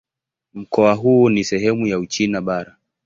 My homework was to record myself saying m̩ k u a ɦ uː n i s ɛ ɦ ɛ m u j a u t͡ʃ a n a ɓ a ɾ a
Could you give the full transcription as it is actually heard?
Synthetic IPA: m̩ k ɔ a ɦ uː n i s ɛ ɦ ɛ m u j a u t͡ʃ i n a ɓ a ɾ a